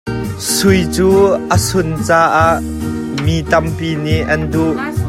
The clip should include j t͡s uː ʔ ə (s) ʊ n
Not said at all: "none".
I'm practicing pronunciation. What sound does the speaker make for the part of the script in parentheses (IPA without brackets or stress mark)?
s